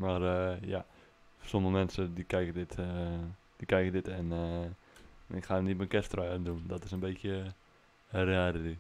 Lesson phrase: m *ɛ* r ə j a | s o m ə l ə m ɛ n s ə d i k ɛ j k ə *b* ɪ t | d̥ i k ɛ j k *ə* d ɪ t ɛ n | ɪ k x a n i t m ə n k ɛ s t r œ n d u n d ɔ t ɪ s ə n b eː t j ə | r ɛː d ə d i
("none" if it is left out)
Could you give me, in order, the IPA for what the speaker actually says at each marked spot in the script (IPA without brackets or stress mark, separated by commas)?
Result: a, d, ə